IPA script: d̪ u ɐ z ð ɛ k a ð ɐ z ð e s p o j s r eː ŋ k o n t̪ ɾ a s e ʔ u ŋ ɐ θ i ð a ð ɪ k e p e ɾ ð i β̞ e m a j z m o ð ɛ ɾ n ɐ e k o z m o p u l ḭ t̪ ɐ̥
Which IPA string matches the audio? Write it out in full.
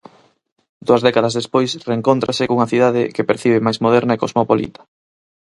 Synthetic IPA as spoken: d̪ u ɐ z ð ɛ k a ð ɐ z ð e s p o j s r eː ŋ k o n t̪ ɾ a s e k u ŋ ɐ θ i ð a ð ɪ k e p e ɾ θ i β̞ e m a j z m o ð ɛ ɾ n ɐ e k o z m o p o l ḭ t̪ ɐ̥